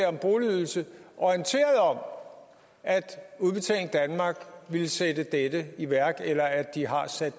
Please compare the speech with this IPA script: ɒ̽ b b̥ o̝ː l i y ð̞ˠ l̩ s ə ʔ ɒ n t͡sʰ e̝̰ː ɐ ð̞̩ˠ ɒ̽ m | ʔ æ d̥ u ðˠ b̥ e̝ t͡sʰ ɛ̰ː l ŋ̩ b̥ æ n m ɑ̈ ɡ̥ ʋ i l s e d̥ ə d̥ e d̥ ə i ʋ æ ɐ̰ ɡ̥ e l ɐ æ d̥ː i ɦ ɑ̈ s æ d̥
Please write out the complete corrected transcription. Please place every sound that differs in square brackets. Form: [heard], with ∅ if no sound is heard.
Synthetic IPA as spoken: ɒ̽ [m] b̥ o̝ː l i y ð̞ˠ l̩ s ə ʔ ɒ n t͡sʰ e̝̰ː ɐ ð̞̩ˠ ɒ̽ m | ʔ æ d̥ u ðˠ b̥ e̝ t͡sʰ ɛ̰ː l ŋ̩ [d̥] æ n m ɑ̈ ɡ̥ ʋ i l s e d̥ ə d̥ e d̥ ə i ʋ æ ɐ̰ ɡ̥ e l ɐ æ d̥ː i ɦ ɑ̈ s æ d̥